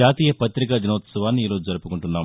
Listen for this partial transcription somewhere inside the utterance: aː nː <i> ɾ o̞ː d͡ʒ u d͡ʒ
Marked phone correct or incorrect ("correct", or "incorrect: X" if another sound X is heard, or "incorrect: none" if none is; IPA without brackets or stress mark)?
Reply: incorrect: iː